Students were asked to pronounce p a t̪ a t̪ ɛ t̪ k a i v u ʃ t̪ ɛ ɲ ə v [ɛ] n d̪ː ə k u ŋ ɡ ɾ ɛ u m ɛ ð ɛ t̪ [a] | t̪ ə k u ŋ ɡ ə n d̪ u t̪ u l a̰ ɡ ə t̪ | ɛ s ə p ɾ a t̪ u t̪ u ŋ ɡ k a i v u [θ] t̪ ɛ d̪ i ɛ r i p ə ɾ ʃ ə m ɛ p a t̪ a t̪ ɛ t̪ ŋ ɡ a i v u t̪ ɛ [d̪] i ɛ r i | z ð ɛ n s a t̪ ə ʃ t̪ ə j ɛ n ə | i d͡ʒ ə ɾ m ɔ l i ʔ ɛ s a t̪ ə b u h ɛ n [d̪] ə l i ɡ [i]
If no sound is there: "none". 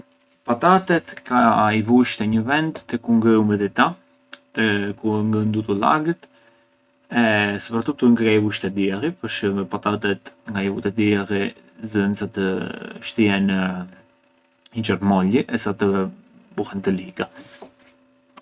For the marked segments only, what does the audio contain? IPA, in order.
ɛ, a, ʃ, d̪, t̪, a

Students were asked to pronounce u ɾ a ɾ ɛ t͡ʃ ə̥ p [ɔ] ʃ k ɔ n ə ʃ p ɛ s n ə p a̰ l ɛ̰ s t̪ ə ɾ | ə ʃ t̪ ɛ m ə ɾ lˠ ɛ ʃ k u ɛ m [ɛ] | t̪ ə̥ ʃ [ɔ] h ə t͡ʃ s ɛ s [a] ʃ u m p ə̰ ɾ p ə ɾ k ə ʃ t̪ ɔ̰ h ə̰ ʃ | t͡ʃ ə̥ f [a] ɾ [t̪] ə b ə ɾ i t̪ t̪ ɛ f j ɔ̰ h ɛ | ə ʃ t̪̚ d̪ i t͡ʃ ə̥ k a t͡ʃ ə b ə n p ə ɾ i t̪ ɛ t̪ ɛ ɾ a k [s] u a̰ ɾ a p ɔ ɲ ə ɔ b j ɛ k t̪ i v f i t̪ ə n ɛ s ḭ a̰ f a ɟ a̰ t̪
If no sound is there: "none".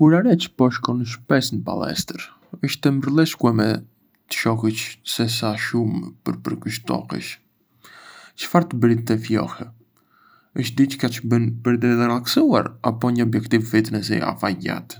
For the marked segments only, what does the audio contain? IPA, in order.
ɔ, ɛ, ɔ, a, a, t̪, s

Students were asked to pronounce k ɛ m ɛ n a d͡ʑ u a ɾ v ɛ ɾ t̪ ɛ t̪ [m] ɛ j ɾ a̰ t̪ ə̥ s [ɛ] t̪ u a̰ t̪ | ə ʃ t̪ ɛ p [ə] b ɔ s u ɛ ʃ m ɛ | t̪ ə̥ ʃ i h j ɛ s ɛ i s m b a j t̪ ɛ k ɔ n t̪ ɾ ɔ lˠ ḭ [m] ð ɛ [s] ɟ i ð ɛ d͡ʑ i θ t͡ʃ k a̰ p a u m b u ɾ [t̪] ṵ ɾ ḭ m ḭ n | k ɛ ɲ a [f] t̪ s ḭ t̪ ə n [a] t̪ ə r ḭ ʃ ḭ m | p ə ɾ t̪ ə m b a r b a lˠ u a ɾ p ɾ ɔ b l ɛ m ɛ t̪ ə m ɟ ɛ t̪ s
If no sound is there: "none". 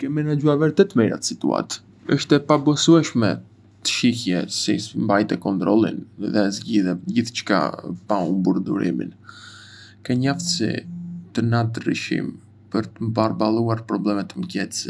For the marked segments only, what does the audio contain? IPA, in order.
m, i, a, n, z, d̪, f, a

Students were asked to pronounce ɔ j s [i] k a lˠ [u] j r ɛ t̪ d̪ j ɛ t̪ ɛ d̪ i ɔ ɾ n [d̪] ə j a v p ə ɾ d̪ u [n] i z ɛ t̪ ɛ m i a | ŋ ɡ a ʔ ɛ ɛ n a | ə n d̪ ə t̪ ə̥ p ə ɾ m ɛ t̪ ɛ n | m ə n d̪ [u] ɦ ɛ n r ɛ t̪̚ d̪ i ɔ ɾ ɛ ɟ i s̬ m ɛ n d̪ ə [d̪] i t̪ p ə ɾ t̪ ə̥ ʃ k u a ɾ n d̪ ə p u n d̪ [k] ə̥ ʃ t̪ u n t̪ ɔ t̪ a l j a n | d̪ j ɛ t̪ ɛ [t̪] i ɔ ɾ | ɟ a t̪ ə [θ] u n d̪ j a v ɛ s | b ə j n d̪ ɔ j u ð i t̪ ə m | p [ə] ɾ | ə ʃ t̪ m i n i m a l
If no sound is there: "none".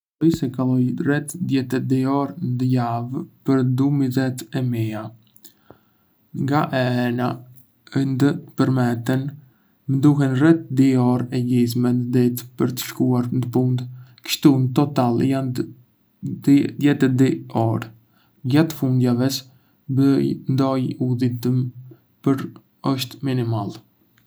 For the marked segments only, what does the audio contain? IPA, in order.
ɛ, ɔ, d̪, m, u, d̪, k, d̪, f, ə

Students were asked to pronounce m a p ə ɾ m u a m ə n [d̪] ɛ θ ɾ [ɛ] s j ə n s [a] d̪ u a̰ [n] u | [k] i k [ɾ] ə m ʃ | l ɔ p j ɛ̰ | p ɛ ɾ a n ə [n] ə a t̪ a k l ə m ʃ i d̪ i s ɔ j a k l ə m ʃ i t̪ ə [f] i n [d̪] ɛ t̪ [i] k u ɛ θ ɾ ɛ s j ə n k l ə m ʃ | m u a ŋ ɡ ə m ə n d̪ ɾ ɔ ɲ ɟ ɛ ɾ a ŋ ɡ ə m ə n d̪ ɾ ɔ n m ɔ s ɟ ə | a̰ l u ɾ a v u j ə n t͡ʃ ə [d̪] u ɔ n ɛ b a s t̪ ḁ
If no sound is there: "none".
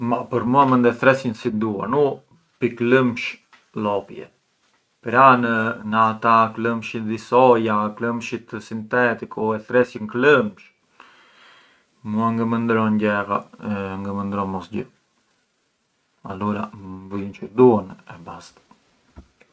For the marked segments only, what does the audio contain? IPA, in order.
d̪, ɛ, i, n, p, l, n, s, t̪, i, d̪

